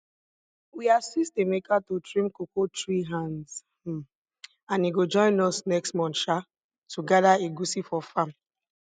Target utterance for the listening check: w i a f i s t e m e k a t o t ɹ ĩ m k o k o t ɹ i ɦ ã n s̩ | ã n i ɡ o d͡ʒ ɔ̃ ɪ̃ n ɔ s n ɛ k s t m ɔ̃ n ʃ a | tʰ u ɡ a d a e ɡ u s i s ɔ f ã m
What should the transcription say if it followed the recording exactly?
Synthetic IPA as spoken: w i a s i s t e m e k a t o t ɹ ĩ m k o k o t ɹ i ɦ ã n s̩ | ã n i ɡ o d͡ʒ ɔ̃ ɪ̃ n ɔ s n ɛ k s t m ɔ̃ n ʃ a | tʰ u ɡ a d a e ɡ u s i f ɔ f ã m